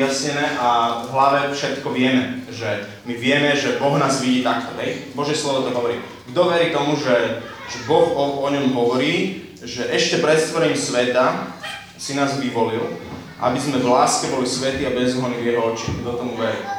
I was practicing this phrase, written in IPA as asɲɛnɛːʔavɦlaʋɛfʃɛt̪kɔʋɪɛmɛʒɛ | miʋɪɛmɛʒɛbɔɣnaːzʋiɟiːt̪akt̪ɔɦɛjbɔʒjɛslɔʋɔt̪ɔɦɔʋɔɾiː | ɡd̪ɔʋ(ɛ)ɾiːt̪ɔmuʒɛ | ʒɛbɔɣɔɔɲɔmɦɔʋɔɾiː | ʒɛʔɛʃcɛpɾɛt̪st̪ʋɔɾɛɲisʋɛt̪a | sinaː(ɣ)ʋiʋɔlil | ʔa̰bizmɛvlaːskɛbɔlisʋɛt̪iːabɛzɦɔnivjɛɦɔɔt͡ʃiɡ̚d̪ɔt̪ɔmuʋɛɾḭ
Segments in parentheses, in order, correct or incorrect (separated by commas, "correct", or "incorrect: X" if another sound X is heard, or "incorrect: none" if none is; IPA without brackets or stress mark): correct, incorrect: z